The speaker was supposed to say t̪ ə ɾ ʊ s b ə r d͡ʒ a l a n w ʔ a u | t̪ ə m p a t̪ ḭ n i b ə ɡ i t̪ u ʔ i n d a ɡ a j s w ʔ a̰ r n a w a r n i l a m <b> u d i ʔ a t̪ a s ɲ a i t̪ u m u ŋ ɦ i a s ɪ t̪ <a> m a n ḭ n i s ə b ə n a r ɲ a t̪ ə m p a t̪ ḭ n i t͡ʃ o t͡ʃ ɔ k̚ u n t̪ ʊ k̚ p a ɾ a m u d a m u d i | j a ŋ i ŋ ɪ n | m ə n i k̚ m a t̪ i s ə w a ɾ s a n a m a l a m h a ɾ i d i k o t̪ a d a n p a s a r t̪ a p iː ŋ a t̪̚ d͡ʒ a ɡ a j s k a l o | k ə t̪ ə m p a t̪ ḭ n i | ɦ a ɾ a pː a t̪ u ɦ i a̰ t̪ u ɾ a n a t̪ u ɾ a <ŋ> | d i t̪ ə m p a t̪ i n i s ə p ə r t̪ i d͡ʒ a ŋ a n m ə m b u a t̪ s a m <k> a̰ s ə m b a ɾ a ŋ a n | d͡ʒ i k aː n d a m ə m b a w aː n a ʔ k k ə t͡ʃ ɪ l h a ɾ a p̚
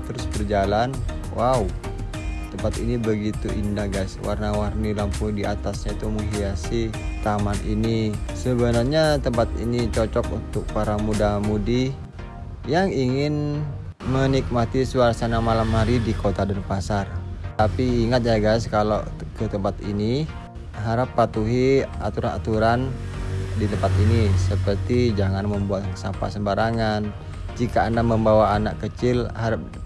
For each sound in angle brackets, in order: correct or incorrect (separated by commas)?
incorrect, correct, incorrect, incorrect